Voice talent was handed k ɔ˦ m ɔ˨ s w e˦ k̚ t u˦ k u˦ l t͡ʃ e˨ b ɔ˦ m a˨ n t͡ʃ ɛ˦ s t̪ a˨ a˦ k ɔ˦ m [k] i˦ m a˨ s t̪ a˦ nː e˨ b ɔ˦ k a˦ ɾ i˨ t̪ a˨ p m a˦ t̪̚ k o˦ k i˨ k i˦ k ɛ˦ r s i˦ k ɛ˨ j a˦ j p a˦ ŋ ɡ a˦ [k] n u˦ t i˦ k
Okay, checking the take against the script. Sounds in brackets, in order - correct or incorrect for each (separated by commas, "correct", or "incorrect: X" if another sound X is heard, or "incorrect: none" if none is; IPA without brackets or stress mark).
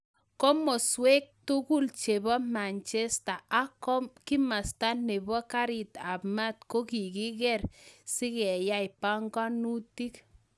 correct, incorrect: none